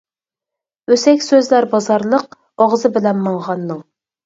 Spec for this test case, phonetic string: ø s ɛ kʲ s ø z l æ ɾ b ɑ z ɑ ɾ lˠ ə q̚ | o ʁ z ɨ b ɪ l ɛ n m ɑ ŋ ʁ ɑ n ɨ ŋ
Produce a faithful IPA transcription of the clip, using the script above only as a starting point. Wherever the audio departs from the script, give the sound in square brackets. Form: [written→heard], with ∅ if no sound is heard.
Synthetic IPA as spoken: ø s ɛ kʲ s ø z l æ ɾ b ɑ z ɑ ɾ lˠ ə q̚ | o ʁ z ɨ b ɪ l ɛ n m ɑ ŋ ʁ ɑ [n→nː] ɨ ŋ